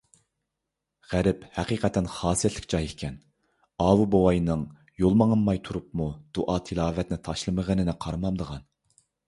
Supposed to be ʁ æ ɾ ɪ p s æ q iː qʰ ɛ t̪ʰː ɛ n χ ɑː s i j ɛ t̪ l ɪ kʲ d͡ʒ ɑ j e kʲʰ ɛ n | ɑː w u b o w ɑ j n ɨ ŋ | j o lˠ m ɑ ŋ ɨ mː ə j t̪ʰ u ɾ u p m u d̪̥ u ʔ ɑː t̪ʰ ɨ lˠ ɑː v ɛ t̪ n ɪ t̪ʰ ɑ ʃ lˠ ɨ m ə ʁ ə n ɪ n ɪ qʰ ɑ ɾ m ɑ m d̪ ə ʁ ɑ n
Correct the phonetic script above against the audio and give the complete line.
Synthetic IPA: ʁ æ ɾ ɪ p h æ q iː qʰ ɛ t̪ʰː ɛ n χ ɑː s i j ɛ t̪ l ɪ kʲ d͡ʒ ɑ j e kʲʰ ɛ n | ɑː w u b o w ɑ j n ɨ ŋ | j o lˠ m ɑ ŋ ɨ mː ɑ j t̪ʰ u ɾ u p m u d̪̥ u ʔ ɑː t̪ʰ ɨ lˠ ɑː v ɛ t̪ n ɪ t̪ʰ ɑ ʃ lˠ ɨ m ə ʁ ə n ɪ n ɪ qʰ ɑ ɾ m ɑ m d̪ ə ʁ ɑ n